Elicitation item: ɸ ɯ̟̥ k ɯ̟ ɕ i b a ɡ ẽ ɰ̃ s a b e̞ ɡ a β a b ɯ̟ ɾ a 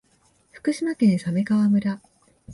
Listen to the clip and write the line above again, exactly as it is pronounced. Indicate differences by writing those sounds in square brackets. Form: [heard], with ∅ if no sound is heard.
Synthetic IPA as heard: ɸ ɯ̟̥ k ɯ̟ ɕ i [m] a [k] ẽ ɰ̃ s a [m] e̞ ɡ a β a [m] ɯ̟ ɾ a